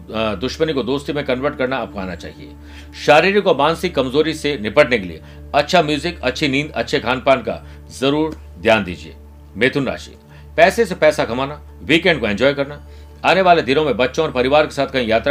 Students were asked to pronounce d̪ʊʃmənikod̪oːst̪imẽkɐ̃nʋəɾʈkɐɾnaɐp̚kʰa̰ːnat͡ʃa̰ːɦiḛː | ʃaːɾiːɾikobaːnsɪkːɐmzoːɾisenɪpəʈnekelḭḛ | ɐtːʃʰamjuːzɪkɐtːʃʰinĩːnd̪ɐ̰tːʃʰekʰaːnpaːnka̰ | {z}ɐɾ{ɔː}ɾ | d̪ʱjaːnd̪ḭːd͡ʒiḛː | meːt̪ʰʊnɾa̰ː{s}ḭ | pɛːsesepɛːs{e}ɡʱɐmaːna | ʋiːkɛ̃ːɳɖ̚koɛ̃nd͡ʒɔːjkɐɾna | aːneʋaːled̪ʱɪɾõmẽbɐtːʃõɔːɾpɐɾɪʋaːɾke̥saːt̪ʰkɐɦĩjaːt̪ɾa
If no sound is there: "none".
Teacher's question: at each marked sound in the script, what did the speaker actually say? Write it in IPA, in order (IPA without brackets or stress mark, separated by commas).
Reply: z, uː, ʃ, a